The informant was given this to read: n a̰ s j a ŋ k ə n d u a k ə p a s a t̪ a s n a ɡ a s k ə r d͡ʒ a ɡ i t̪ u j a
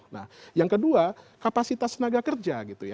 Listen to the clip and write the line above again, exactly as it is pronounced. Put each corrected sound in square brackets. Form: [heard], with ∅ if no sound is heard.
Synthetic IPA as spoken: n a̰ [h] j a ŋ k ə [∅] d u a k [a] p a s [i] t̪ a s n a ɡ a [∅] k ə r d͡ʒ a ɡ i t̪ u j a